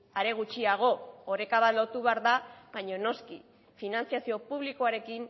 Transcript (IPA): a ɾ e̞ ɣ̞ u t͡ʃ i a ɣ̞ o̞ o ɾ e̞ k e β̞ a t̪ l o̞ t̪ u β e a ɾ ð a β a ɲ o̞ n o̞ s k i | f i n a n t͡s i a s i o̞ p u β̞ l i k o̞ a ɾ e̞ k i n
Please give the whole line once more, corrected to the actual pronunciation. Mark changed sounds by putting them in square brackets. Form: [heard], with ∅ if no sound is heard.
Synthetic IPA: a ɾ e̞ ɣ̞ u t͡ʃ i a ɣ̞ o̞ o ɾ e̞ k [a] β̞ a t̪ l o̞ t̪ u β e a ɾ ð a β a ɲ o̞ n o̞ s k i | f i n a n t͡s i a s i o̞ p u β̞ l i k o̞ a ɾ e̞ k i n